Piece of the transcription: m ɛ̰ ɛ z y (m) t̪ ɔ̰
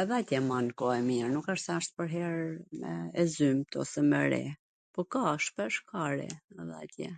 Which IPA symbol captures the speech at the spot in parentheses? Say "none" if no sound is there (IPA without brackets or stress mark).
m